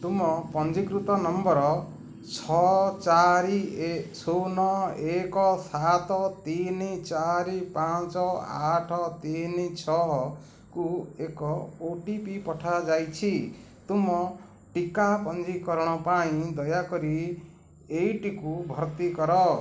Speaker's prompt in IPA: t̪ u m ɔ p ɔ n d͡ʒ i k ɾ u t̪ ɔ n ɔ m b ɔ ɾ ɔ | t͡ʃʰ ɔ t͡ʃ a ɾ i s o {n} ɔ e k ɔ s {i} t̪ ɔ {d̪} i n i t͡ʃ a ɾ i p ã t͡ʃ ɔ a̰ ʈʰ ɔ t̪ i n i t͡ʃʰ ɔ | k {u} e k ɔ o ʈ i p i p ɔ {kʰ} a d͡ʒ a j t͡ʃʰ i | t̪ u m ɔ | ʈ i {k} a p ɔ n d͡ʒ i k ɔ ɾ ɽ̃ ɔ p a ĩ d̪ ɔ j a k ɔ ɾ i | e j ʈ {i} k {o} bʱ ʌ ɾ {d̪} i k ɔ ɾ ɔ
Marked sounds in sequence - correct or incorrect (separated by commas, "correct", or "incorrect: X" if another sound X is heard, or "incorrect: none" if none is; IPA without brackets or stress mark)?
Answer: correct, incorrect: a, incorrect: t̪, correct, incorrect: ʈʰ, correct, correct, incorrect: u, incorrect: t̪